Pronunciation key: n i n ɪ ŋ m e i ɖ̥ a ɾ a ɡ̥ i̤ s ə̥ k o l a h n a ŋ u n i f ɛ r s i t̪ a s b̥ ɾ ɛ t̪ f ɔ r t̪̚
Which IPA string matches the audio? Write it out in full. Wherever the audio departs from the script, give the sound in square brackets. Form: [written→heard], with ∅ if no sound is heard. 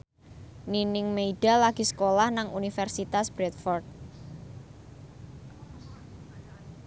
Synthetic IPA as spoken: n i n ɪ ŋ m e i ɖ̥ a [ɾ→l] a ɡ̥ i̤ s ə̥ k o l a h n a ŋ u n i f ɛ r s i t̪ a s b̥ ɾ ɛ t̪ f ɔ r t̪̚